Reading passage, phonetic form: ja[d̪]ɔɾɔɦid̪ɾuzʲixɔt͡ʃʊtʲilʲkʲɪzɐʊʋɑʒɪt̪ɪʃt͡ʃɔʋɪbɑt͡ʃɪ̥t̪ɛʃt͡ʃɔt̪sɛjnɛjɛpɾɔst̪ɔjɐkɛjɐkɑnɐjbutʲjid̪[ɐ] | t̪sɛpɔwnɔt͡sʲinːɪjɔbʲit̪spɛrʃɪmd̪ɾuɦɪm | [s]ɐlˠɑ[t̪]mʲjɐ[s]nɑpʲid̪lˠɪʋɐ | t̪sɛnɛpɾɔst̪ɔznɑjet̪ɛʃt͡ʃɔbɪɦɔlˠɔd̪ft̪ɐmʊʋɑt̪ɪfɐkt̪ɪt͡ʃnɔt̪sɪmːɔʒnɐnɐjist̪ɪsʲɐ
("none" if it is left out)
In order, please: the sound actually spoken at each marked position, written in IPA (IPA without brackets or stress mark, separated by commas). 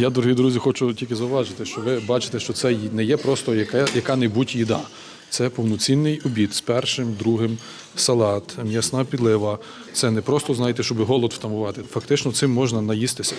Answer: d̪, ɑ, s, t̪, s